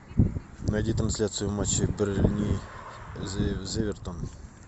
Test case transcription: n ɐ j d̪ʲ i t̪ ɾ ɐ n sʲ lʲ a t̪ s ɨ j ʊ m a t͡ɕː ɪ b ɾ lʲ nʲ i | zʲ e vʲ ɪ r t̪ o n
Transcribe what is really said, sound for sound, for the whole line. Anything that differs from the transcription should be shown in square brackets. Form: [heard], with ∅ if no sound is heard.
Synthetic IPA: n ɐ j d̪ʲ i t̪ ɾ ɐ n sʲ lʲ a t̪ s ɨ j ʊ m a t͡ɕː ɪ b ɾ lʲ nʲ i | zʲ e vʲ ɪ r t̪ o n